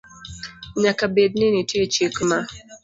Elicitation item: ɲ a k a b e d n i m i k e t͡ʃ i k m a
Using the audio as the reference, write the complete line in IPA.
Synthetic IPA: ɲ a k a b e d n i n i t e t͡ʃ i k m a